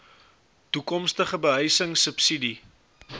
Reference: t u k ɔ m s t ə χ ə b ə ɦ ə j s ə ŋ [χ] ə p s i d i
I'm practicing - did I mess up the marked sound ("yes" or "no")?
yes